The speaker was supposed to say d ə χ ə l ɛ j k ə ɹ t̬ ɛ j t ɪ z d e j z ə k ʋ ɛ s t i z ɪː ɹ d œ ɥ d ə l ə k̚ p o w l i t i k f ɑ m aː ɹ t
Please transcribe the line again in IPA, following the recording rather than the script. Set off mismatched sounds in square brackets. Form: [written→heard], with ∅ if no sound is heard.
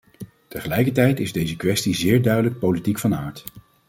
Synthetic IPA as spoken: [d→t] ə χ ə l ɛ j k ə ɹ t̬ ɛ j t ɪ z d e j z ə k ʋ ɛ s t i z ɪː ɹ d œ ɥ d ə l ə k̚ p o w l i t i k f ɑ [m→n] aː ɹ t